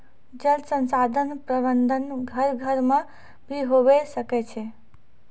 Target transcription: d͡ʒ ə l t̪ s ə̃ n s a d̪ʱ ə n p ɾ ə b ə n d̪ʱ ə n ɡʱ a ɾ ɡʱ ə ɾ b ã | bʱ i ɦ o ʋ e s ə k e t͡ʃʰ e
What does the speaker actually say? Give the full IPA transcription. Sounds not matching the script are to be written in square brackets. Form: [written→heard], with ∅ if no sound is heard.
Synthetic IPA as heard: d͡ʒ ə l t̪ s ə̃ n s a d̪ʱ ə n p ɾ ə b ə n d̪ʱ ə n ɡʱ [a→ə] ɾ ɡʱ ə ɾ [b→m] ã | bʱ i ɦ o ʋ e s ə k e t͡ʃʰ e